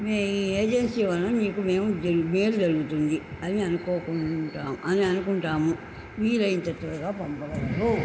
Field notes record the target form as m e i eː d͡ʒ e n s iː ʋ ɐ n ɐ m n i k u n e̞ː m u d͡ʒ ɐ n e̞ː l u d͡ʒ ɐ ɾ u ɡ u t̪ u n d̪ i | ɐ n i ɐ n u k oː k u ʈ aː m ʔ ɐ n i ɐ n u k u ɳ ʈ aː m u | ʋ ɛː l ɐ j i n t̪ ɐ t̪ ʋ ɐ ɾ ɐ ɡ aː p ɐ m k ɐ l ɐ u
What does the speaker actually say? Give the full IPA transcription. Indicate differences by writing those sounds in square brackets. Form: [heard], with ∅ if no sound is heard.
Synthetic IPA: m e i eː d͡ʒ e n s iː ʋ ɐ n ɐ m n [iː] k u [m] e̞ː m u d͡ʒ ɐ [m] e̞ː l u d͡ʒ ɐ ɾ u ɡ u t̪ u n d̪ i | ɐ n i ɐ n u k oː k u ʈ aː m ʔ ɐ n i ɐ n u k u ɳ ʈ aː m u | ʋ [iː] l ɐ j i n t̪ ɐ t̪ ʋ ɐ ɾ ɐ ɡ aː p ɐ m [p] ɐ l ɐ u